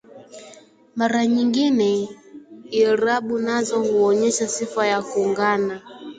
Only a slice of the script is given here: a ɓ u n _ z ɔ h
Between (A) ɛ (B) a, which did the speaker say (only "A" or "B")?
B